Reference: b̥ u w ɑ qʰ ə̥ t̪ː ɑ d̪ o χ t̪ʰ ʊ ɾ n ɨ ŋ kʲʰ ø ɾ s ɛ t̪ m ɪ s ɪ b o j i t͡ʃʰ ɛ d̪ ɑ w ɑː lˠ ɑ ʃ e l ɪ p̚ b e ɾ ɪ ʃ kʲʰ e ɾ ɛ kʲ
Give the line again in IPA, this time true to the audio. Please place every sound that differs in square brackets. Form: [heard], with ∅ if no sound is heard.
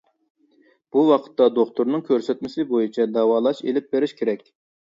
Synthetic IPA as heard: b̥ u w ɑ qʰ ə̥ t̪ː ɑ d̪ o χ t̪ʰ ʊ ɾ n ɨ ŋ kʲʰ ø ɾ s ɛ t̪ m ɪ s ɪ b o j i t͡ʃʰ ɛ d̪ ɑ w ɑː lˠ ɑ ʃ e l ɪ p̚ b e ɾ ɪ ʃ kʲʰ e ɾ ɛ kʲ

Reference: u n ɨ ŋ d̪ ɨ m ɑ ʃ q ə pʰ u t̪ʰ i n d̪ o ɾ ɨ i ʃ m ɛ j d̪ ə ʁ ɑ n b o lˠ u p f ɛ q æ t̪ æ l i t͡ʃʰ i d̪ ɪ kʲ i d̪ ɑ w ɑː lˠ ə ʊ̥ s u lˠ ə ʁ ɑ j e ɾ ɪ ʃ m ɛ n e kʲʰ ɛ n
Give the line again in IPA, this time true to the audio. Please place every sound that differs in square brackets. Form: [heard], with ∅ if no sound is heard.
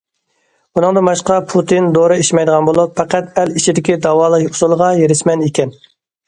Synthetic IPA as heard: u n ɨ ŋ d̪ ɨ m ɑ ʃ q [ɑ] pʰ u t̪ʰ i n d̪ o ɾ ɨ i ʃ m ɛ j d̪ ə ʁ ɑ n b o lˠ u p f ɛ q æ t̪ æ l i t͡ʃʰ i d̪ ɪ kʲ i d̪ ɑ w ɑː lˠ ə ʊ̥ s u lˠ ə ʁ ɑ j e ɾ ɪ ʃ m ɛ n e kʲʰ ɛ n

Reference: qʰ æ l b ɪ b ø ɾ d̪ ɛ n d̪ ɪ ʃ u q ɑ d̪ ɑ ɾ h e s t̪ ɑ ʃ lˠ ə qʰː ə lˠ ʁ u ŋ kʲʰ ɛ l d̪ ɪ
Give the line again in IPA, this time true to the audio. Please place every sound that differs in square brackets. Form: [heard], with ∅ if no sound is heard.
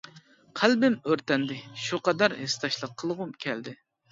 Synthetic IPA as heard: qʰ æ l b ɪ [m] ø ɾ [t̪] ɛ n d̪ ɪ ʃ u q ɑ d̪ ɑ ɾ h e s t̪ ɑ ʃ lˠ ə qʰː ə lˠ ʁ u [m] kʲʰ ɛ l d̪ ɪ

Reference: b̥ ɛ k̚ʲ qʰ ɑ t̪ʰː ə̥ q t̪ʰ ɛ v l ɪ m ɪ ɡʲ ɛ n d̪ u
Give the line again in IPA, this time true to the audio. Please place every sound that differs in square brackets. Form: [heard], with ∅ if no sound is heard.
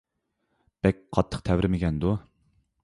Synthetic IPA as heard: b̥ ɛ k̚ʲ qʰ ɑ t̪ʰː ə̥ q t̪ʰ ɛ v [ɾ] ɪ m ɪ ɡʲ ɛ n d̪ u

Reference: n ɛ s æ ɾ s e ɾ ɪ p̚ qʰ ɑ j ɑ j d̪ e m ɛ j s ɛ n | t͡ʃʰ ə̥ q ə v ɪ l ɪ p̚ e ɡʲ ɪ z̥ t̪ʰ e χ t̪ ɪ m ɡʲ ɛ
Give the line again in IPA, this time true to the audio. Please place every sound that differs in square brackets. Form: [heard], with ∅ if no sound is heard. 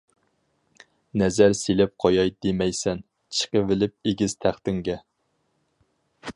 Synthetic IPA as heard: n ɛ [z] æ ɾ s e [l] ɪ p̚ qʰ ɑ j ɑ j d̪ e m ɛ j s ɛ n | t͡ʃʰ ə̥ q ə v ɪ l ɪ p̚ e ɡʲ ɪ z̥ t̪ʰ [æ] χ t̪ ɪ [ŋ] ɡʲ ɛ

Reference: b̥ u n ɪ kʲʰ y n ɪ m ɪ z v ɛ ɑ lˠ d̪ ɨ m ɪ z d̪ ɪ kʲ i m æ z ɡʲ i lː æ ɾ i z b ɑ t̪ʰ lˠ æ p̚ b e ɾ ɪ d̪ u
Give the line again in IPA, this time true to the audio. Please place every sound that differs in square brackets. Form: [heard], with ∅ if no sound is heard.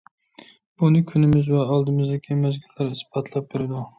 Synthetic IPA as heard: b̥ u n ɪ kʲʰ y n ɪ m ɪ z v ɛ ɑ lˠ d̪ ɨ m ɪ z d̪ ɪ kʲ i m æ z ɡʲ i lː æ ɾ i [s] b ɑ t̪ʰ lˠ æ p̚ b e ɾ ɪ d̪ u

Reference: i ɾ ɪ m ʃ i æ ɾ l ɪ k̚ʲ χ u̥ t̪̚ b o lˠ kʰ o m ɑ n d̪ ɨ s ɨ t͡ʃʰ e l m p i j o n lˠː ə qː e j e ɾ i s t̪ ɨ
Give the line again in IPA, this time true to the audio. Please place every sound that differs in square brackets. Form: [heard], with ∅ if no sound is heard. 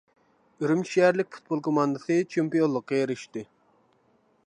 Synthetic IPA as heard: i ɾ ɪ m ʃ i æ ɾ l ɪ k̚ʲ [f] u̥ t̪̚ b o lˠ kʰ o m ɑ n d̪ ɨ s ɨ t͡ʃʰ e [∅] m p i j o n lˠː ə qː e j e ɾ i [ʃ] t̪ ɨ

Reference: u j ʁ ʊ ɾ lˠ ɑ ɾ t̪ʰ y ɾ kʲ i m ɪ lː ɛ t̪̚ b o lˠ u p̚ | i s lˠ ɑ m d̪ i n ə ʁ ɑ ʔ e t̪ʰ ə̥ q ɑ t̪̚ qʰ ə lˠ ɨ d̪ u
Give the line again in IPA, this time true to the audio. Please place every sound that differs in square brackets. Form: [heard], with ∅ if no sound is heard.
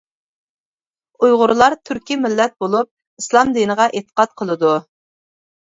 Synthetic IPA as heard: u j ʁ ʊ ɾ lˠ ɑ ɾ t̪ʰ y ɾ kʲ i m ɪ lː ɛ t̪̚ b o lˠ u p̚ | i s lˠ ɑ m d̪ i n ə ʁ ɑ ʔ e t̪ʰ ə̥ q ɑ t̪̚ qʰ ə lˠ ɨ d̪ u

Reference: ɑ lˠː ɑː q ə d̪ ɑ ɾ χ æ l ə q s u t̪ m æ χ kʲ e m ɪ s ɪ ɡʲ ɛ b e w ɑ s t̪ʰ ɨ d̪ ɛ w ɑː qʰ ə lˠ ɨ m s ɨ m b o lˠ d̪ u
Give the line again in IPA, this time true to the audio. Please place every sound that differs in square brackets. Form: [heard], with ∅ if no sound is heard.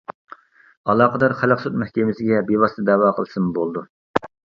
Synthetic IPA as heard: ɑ [lˠ] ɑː q ə d̪ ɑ ɾ χ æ l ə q s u t̪ m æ [h] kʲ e m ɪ s ɪ ɡʲ ɛ b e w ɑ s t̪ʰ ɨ d̪ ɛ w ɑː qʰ ə lˠ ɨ [∅] s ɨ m b o lˠ d̪ u

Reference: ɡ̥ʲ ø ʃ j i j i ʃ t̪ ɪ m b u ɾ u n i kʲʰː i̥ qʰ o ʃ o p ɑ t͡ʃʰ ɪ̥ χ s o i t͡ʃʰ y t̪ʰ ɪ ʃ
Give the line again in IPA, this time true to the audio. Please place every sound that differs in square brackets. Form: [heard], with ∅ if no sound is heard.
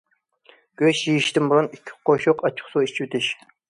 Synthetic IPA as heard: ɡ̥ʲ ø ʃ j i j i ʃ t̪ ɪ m b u ɾ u n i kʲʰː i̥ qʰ o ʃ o [q] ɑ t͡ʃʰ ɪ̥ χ s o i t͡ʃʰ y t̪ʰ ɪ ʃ

